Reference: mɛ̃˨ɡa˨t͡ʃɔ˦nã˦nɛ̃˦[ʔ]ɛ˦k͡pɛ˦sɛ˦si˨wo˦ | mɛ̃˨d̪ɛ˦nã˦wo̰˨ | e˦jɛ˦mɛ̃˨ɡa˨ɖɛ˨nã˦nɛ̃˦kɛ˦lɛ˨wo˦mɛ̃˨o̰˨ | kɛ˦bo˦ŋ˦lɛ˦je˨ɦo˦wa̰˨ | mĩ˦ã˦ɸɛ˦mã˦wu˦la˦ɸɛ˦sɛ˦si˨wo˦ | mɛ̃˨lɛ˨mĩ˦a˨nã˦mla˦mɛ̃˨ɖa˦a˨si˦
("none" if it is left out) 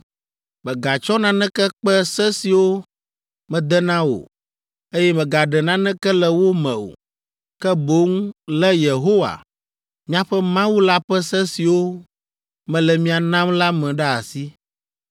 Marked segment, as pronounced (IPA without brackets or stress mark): k